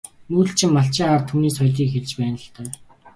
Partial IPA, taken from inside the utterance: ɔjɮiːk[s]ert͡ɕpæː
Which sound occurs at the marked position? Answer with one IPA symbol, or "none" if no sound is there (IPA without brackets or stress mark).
x